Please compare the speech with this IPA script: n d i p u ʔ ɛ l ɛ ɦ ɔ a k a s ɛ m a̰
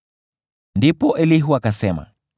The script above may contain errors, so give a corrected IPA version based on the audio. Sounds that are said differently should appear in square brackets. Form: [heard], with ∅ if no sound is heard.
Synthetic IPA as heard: n d i p [ɔ] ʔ ɛ l [i] ɦ [u] a k a s ɛ m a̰